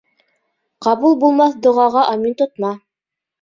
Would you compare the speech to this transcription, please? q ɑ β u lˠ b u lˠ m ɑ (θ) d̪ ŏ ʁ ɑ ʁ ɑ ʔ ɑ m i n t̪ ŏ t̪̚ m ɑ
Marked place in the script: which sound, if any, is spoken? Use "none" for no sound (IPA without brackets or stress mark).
θ